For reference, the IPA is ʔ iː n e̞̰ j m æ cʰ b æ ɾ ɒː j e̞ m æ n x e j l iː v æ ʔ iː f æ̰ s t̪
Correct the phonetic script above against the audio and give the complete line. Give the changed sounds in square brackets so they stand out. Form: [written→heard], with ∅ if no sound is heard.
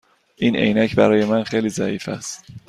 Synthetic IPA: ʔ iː n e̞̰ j [m→n] æ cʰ b æ ɾ ɒː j e̞ m æ n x e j l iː [v→z] æ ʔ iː f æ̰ s t̪